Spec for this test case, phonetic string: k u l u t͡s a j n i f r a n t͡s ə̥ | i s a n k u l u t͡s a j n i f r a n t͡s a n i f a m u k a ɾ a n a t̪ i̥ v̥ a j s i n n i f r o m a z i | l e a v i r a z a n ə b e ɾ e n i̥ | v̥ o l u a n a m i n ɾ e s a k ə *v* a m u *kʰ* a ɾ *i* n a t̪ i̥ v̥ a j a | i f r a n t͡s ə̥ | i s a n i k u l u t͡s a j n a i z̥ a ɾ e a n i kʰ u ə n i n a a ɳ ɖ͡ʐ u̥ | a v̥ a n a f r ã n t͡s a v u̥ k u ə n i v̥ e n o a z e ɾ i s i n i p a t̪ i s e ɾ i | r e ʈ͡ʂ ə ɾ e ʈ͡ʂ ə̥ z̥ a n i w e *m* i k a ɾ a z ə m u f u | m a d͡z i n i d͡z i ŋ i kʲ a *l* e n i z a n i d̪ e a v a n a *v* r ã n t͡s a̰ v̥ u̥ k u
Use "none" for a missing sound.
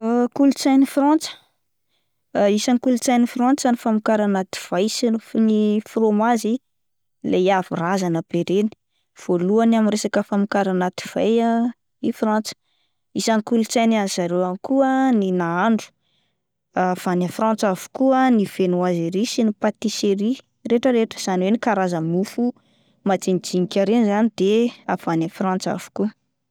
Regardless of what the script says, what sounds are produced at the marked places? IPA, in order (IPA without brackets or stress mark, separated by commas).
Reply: f, k, a, n, ɾ, f